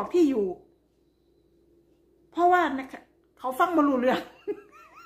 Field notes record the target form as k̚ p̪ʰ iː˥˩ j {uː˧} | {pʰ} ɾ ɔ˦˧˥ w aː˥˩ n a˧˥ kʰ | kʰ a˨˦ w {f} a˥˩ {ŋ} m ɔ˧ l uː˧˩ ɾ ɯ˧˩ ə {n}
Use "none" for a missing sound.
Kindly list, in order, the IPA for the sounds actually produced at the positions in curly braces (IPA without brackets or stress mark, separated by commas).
uː˨˩, pʰ, f, ŋ, ŋ